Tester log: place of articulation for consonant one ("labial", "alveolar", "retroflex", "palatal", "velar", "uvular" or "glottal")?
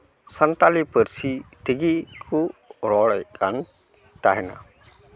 alveolar